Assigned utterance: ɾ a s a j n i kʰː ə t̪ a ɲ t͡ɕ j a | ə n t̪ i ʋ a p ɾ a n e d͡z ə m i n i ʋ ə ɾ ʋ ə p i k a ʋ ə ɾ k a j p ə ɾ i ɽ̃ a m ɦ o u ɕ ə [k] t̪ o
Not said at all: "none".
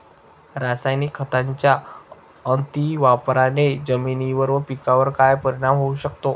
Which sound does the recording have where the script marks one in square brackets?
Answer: k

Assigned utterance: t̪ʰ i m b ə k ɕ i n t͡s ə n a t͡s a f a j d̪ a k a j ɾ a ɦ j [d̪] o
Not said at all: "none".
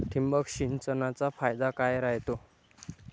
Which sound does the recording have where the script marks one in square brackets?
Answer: t̪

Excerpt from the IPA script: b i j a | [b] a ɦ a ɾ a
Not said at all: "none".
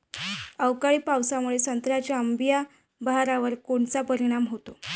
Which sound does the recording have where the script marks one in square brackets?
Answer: b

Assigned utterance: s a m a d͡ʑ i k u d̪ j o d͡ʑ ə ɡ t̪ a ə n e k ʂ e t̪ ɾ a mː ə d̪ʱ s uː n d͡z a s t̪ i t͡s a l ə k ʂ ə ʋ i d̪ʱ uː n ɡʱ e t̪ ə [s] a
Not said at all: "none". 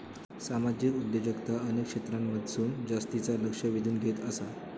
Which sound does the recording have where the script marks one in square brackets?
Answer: s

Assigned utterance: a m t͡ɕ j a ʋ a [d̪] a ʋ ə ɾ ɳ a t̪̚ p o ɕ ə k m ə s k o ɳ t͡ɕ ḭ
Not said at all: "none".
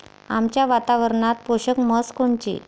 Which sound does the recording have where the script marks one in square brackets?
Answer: t̪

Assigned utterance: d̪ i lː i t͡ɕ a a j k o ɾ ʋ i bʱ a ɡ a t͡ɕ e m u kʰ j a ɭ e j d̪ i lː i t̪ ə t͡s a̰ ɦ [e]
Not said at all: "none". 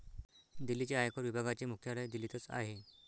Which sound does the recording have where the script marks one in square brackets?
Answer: e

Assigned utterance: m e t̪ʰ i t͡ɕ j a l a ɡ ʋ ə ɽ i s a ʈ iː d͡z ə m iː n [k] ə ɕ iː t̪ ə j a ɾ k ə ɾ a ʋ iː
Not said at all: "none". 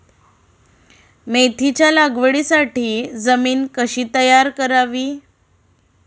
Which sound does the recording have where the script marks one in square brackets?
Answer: k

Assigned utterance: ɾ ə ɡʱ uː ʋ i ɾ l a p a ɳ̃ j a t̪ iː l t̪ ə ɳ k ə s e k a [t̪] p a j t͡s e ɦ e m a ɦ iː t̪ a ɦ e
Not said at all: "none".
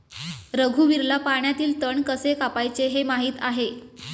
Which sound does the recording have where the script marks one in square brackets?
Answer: none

